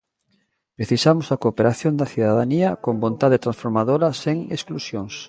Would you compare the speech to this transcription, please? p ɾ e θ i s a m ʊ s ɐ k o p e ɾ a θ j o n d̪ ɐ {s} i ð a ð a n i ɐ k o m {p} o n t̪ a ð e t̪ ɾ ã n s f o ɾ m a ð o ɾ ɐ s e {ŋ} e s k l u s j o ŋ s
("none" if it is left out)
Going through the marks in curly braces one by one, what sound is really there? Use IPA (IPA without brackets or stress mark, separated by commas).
θ, b, ŋ